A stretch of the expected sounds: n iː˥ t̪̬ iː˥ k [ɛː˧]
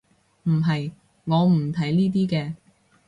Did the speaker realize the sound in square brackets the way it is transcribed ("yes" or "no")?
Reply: yes